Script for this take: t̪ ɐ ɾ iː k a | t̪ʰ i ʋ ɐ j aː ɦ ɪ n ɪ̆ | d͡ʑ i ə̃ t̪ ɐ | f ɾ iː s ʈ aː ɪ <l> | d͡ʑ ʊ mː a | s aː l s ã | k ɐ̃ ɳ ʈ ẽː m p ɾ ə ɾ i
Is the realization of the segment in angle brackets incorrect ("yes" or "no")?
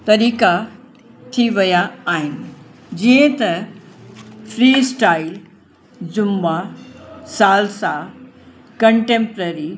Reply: no